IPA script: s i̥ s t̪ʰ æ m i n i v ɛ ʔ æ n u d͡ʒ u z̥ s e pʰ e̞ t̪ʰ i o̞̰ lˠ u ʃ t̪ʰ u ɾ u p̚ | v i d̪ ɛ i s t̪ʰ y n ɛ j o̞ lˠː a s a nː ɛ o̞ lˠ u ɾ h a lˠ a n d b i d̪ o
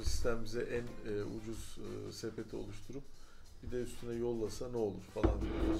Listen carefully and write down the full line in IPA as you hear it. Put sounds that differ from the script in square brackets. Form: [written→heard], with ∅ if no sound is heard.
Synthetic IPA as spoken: s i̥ s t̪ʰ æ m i [n→m] i [v→z] ɛ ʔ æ n u d͡ʒ u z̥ s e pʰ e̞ t̪ʰ i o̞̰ lˠ u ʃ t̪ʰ u ɾ u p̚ | [v→b] i d̪ ɛ [i→y] s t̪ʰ y n ɛ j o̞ lˠː a s a [nː→n] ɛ o̞ lˠ u ɾ [h→f] a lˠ a n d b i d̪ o